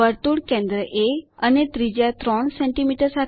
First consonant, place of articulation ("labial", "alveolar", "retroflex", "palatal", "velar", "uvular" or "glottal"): alveolar